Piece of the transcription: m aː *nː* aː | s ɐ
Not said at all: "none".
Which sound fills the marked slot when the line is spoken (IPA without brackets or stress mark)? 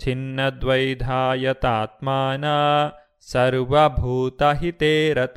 n